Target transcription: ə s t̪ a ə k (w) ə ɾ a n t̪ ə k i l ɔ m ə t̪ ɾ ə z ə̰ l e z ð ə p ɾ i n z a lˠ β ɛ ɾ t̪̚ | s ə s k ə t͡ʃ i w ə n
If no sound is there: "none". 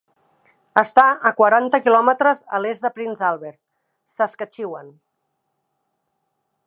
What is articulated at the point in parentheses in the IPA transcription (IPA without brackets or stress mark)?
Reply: w